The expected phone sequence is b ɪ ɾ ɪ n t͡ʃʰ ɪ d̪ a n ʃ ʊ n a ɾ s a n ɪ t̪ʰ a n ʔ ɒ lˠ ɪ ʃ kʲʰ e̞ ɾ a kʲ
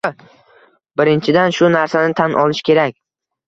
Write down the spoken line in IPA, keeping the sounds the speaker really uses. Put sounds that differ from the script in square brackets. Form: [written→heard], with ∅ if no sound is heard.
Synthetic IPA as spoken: b ɪ ɾ ɪ n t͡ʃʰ ɪ d̪ a n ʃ ʊ n a ɾ s a n ɪ t̪ʰ a n ʔ ɒ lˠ ɪ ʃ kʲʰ e̞ ɾ a kʲ

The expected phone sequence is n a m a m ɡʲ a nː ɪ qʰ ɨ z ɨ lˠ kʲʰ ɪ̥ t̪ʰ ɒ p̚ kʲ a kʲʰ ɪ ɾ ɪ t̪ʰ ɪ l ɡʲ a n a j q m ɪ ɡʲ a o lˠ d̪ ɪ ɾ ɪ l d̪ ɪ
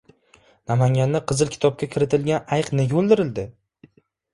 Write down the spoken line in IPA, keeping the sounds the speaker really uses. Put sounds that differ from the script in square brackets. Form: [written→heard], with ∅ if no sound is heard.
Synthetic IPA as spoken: n a m a [m→ŋ] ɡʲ a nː ɪ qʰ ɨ z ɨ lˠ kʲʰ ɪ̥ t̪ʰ ɒ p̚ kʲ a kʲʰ ɪ ɾ ɪ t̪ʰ ɪ l ɡʲ a n a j q [m→n] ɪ ɡʲ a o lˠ d̪ ɪ ɾ ɪ l d̪ ɪ

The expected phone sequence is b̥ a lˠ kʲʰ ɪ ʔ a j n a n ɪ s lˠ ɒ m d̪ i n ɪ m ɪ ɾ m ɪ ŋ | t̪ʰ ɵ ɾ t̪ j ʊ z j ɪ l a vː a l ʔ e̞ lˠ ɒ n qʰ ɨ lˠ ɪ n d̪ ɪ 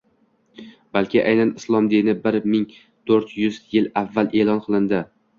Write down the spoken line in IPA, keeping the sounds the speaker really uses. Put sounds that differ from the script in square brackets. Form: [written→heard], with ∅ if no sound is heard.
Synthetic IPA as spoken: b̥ a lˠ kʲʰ ɪ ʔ a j n a n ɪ s lˠ ɒ m d̪ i n ɪ [m→b] ɪ ɾ m ɪ ŋ | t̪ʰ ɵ ɾ t̪ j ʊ z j ɪ l a vː a l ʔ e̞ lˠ ɒ n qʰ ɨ lˠ ɪ n d̪ ɪ

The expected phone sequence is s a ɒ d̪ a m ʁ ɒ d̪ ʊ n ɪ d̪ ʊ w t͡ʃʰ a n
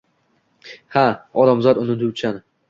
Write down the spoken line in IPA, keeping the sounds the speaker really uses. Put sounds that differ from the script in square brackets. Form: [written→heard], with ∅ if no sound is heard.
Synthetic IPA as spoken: [s→h] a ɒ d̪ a m [ʁ→z] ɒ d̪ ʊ n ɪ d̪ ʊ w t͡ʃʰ a n

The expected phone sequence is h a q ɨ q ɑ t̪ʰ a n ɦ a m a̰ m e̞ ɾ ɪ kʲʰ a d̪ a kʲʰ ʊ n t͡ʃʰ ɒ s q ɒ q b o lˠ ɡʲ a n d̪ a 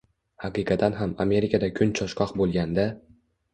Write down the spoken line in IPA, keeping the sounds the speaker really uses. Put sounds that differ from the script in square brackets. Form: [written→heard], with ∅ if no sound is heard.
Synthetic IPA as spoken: h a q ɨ q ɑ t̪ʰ a n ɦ a m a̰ m e̞ ɾ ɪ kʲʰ a d̪ a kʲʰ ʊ n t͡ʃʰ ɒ [s→ʃ] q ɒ q b o lˠ ɡʲ a n d̪ a

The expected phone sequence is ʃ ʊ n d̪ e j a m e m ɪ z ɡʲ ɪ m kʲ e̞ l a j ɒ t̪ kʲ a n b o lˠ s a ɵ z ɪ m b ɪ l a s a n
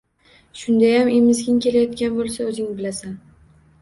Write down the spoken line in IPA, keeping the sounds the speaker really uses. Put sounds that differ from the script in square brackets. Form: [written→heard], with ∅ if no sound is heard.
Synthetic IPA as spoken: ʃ ʊ n d̪ [e→a] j a m e m ɪ z ɡʲ ɪ [m→ŋ] kʲ e̞ l a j ɒ t̪ kʲ a n b o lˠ s a ɵ z ɪ [m→ŋ] b ɪ l a s a n

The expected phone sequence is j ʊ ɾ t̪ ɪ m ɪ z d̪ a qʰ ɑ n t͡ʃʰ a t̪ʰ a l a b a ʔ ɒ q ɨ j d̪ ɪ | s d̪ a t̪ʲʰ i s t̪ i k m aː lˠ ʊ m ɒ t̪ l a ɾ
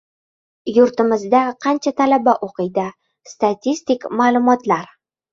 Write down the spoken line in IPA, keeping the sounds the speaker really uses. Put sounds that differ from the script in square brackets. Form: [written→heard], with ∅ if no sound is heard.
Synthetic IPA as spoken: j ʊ ɾ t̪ ɪ m ɪ z d̪ a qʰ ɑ n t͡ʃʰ a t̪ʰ a l a b a ʔ [ɒ→o] q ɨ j d̪ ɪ | s [d̪→t̪] a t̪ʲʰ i s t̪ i k m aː lˠ ʊ m ɒ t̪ l a ɾ

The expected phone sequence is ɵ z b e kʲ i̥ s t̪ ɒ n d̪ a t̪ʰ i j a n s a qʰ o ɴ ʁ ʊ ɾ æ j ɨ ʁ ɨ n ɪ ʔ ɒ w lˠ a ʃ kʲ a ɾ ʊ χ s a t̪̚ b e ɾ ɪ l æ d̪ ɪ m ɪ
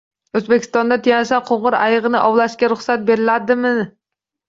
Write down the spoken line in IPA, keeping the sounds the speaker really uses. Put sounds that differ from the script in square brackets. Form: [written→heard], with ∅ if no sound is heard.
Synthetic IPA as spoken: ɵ z b e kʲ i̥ s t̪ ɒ n d̪ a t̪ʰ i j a n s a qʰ o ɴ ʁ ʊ ɾ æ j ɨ ʁ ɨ n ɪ ʔ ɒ w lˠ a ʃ kʲ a ɾ ʊ χ s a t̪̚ b e ɾ ɪ l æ d̪ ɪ m ɪ

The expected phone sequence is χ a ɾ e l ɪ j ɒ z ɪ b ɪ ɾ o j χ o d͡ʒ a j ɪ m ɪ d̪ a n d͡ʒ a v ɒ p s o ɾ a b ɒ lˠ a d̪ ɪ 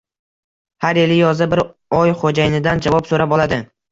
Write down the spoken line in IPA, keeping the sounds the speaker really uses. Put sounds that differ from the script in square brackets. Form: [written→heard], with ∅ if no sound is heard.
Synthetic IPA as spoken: [χ→h] a ɾ e l ɪ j ɒ z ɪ b ɪ ɾ [o→ɒ] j χ o d͡ʒ a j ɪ [m→n] ɪ d̪ a n d͡ʒ a v ɒ p s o ɾ a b ɒ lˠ a d̪ ɪ

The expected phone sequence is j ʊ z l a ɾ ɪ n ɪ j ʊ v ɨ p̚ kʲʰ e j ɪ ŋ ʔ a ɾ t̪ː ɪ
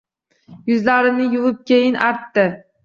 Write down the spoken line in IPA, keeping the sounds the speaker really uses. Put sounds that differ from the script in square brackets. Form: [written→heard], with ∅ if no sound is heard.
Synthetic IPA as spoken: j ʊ z l a ɾ ɪ n ɪ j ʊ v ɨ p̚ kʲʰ e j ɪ [ŋ→n] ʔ a ɾ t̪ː ɪ

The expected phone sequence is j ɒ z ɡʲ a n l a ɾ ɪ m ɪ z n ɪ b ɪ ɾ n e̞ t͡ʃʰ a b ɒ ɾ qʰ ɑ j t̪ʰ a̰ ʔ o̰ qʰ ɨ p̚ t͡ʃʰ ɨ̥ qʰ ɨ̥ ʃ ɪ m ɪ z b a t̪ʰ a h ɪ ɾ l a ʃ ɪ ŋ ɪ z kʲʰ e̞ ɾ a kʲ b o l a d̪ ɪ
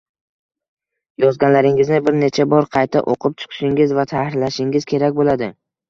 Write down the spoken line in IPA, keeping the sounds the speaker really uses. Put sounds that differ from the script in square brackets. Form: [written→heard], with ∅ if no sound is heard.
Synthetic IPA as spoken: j ɒ z ɡʲ a n l a ɾ ɪ [m→ŋ] ɪ z n ɪ b ɪ ɾ n e̞ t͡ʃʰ a b ɒ ɾ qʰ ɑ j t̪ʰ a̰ ʔ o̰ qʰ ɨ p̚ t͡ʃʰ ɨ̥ qʰ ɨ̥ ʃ ɪ [m→ŋ] ɪ z [b→v] a t̪ʰ a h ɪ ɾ l a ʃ ɪ ŋ ɪ z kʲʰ e̞ ɾ a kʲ b o l a d̪ ɪ

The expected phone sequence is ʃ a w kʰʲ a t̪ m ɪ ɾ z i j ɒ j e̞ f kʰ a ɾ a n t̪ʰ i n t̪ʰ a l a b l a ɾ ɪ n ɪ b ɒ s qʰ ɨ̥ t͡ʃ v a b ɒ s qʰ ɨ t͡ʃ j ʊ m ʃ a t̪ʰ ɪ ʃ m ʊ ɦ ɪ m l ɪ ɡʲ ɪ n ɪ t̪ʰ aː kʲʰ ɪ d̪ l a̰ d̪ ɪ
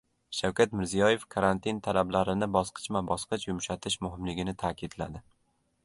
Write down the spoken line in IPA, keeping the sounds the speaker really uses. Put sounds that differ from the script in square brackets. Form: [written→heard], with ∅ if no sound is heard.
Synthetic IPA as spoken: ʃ a w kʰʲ a t̪ m ɪ ɾ z i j ɒ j e̞ f kʰ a ɾ a n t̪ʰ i n t̪ʰ a l a b l a ɾ ɪ n ɪ b ɒ s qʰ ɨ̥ t͡ʃ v a b ɒ s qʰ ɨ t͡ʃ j ʊ m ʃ a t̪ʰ ɪ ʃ m ʊ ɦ ɪ m l ɪ ɡʲ ɪ n ɪ t̪ʰ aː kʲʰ ɪ d̪ l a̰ d̪ ɪ

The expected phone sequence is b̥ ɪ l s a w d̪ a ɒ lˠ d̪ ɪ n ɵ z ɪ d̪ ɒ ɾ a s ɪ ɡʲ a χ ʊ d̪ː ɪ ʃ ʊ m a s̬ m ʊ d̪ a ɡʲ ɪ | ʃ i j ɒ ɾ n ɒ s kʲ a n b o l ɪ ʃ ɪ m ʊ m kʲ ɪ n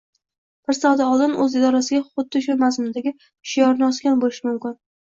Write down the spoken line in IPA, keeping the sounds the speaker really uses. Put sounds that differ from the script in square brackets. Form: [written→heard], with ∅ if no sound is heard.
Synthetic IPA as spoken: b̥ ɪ [l→ɾ] s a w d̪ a ɒ lˠ d̪ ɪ n ɵ z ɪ d̪ ɒ ɾ a s ɪ ɡʲ a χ ʊ d̪ː ɪ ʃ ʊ m a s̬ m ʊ d̪ a ɡʲ ɪ | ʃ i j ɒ ɾ n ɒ s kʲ a n b o l ɪ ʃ ɪ m ʊ m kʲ ɪ n

